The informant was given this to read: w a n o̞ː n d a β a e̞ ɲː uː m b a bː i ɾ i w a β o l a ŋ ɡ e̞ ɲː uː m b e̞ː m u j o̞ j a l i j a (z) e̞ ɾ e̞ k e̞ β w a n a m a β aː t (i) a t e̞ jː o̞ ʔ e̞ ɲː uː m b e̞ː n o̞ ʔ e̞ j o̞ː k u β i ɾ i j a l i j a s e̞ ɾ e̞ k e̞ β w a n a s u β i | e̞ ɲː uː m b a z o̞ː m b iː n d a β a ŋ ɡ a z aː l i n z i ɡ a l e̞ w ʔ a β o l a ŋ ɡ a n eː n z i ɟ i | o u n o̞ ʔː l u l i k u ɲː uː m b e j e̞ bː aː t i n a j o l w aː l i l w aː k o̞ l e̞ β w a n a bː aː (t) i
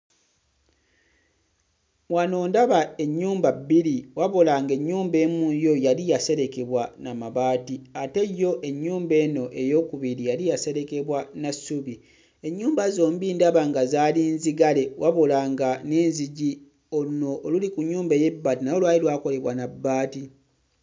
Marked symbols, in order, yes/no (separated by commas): no, yes, yes